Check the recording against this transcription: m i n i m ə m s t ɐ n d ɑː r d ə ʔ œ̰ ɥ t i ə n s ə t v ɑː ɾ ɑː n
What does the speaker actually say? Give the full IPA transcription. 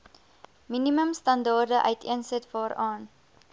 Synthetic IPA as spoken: m i n i m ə m s t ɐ n d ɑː r d ə ʔ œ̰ ɥ t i ə n s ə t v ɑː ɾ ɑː n